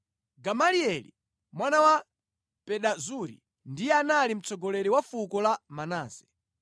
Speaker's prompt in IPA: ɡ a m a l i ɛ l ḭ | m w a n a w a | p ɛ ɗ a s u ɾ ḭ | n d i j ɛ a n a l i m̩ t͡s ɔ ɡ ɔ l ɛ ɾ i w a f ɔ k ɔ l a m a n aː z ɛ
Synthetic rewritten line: ɡ a m a l i ɛ l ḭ | m w a n a w a | p ɛ ɗ a z u ɾ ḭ | n d i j ɛ a n a l i m̩ t͡s ɔ ɡ ɔ l ɛ ɾ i w a f u k ɔ l a m a n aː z ɛ